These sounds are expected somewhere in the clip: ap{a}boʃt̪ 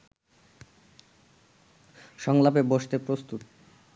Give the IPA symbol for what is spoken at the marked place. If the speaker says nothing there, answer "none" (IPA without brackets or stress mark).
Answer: e